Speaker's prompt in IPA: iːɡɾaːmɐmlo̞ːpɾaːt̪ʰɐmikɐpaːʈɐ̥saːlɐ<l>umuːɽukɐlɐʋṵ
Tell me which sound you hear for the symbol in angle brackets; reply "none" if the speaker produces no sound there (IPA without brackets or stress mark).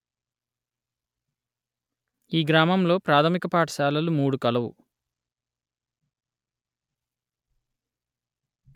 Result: l